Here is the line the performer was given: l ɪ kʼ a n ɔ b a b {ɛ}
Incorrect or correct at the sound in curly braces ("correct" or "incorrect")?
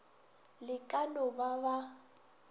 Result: incorrect